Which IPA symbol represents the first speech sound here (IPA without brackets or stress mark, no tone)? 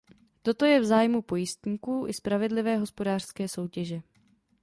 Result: t̪